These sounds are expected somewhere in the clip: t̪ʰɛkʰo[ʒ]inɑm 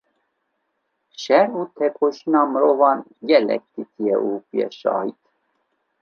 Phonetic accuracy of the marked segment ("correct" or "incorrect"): incorrect